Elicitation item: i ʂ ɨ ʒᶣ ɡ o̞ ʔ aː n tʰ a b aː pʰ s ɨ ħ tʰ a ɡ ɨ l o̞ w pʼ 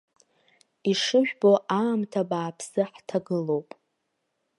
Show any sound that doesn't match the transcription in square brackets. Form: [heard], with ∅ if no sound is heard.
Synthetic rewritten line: i ʂ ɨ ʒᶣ [b] o̞ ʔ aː [m] tʰ a b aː pʰ s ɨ ħ tʰ a ɡ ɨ l o̞ w pʼ